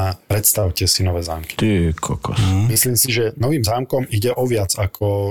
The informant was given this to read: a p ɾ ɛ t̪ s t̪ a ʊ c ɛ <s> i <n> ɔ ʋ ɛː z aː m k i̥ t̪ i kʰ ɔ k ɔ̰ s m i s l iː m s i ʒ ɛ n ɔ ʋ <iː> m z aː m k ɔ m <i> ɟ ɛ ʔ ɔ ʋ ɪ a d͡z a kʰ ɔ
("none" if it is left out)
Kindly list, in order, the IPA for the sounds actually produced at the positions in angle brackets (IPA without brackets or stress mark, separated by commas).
s, n, iː, i